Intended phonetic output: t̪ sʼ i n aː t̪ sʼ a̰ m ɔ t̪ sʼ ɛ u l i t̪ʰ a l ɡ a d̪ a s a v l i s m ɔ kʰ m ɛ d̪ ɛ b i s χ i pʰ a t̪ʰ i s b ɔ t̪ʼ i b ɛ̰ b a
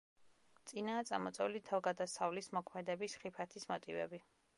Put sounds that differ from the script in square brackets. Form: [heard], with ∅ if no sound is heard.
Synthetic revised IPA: t̪ sʼ i n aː t̪ sʼ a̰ m ɔ t̪ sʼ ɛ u l i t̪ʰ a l ɡ a d̪ a s a v l i s m ɔ kʰ m ɛ d̪ ɛ b i s χ i pʰ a t̪ʰ i s [m] ɔ t̪ʼ i [v] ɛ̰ b [i]